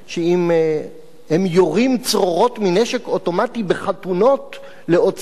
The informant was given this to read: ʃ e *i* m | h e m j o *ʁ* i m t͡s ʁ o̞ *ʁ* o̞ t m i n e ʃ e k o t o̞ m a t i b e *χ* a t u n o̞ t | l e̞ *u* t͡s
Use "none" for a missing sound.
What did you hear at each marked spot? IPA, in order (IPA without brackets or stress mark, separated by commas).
i, ʁ, ʁ, χ, o